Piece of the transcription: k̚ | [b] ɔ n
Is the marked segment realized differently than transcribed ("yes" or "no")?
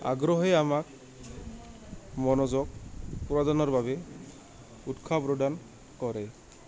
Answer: yes